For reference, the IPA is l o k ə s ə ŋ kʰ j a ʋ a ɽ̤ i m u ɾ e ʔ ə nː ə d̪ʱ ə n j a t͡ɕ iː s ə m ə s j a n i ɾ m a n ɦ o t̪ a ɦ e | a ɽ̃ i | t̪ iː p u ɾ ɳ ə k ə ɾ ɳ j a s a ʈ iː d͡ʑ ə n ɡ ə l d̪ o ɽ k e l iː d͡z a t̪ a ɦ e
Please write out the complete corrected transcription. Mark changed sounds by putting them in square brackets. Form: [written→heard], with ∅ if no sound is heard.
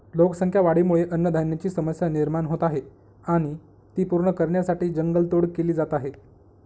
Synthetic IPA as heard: l o k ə s ə ŋ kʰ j a ʋ a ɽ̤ i m u [ɾ→ɭ] e ʔ ə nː ə d̪ʱ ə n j a t͡ɕ iː s ə m ə s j a n i ɾ m a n ɦ o t̪ a ɦ e | a ɽ̃ i | t̪ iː p u ɾ ɳ ə k ə ɾ ɳ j a s a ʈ iː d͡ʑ ə [n→ŋ] ɡ ə l [d̪→t̪] o ɽ k e l iː d͡z a t̪ a ɦ e